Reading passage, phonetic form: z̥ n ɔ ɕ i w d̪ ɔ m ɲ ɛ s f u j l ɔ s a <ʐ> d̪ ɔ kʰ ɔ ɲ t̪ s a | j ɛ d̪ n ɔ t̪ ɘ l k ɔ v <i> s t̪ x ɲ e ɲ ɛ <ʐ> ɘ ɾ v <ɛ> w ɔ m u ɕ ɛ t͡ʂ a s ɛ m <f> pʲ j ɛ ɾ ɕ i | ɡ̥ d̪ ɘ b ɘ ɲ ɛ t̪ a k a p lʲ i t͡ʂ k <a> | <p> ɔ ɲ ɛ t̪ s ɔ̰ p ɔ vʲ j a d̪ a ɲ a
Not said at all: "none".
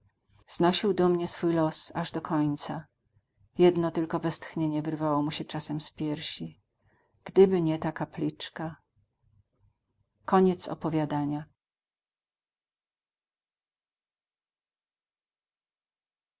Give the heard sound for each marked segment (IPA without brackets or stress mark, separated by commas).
ʐ, ɛ, v, a, s, a, k